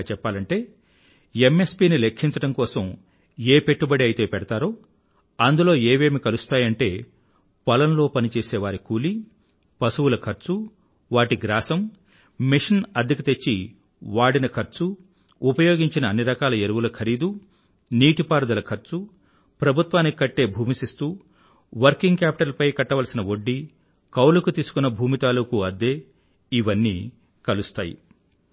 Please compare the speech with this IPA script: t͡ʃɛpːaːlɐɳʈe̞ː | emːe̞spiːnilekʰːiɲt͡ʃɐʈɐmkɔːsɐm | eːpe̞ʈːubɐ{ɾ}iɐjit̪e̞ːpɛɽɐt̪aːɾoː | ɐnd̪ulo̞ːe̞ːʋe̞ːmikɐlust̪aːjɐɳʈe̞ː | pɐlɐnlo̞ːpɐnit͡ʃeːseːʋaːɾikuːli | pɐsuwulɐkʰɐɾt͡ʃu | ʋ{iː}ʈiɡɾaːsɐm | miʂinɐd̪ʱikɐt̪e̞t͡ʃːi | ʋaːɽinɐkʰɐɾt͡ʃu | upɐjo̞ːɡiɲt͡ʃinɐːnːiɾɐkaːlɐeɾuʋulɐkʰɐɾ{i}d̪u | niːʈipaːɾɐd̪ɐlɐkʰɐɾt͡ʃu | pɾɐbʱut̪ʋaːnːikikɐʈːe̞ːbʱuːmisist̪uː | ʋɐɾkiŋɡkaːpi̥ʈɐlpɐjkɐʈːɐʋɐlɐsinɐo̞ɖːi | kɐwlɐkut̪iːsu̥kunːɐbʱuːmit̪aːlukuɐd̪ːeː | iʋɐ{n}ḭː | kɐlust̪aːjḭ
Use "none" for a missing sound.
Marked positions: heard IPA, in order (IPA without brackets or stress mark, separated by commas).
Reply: ɽ, aː, iː, nː